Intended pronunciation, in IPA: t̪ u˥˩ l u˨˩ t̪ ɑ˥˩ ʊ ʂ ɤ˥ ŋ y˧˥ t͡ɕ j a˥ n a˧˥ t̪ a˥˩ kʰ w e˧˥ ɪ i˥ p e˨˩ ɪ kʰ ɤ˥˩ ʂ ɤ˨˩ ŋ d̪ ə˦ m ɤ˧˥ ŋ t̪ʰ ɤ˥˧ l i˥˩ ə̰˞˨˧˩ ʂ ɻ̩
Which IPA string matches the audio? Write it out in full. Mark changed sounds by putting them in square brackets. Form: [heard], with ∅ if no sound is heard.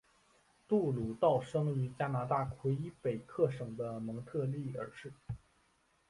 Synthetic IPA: t̪ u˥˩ l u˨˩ t̪ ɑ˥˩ ʊ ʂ ɤ˥ ŋ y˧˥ t͡ɕ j a˥ n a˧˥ t̪ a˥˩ kʰ w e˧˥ ɪ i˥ p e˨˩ ɪ kʰ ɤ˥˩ ʂ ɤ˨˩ ŋ d̪ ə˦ m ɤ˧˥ ŋ t̪ʰ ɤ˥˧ l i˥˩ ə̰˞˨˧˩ ʂ ɻ̩